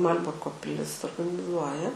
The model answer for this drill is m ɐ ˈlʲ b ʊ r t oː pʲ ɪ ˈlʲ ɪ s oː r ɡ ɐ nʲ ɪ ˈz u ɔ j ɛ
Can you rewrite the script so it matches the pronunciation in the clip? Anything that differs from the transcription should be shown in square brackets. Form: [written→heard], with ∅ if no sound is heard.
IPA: m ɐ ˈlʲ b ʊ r [t→k] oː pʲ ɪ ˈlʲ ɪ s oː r ɡ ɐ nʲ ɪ ˈz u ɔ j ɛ